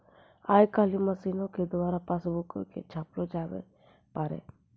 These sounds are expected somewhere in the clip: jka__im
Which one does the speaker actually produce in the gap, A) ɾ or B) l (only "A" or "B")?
B